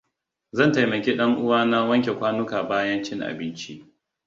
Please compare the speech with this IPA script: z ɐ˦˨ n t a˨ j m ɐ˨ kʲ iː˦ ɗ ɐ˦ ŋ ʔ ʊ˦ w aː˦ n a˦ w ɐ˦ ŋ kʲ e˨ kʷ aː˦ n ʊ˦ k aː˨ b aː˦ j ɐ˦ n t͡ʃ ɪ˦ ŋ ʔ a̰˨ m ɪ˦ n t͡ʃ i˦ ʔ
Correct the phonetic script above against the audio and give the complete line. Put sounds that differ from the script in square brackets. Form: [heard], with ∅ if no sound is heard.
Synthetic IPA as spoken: z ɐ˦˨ n t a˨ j m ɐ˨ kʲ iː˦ ɗ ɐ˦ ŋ ʔ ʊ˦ w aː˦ n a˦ w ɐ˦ ŋ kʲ e˨ kʷ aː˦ n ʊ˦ k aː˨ b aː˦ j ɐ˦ n t͡ʃ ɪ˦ ŋ ʔ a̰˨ [b] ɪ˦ n t͡ʃ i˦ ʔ